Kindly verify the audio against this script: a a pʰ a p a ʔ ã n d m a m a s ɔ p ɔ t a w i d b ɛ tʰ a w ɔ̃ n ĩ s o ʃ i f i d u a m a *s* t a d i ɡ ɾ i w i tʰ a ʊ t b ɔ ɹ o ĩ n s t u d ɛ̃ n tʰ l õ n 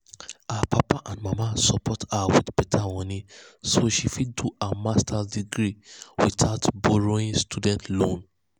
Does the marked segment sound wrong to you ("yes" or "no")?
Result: no